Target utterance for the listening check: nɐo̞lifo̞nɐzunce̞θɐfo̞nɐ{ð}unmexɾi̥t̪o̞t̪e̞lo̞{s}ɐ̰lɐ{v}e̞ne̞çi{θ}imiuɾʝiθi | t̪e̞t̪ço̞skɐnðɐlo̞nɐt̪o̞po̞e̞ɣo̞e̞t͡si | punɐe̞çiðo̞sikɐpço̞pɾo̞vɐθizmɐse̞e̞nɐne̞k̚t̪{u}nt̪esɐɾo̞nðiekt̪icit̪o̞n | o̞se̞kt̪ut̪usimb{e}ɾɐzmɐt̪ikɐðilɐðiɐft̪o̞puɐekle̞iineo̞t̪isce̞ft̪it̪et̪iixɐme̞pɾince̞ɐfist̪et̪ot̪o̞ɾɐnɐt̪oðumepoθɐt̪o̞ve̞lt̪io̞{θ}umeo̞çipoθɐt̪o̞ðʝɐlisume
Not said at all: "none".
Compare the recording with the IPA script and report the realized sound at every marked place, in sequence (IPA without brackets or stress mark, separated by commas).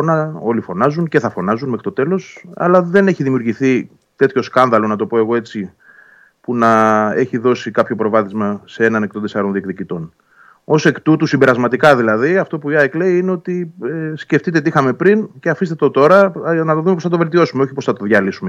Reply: z, s, ð, ð, o, e, s